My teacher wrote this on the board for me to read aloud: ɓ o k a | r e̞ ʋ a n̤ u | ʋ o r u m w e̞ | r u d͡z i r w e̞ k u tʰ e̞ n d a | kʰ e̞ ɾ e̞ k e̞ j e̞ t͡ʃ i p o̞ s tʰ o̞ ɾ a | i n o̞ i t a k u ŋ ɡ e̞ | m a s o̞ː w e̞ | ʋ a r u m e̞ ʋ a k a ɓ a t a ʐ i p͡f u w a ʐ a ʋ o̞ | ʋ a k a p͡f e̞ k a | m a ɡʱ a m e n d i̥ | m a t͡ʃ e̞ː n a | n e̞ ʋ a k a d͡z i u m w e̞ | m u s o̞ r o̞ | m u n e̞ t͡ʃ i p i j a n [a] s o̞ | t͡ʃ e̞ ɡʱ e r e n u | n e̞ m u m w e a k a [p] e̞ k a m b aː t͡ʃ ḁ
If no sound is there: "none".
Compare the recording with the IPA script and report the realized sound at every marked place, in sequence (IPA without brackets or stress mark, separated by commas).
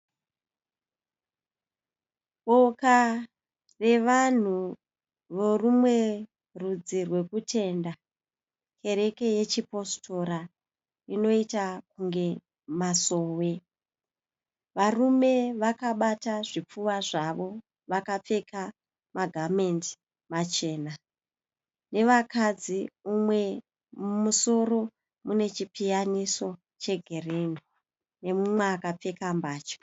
i, p͡f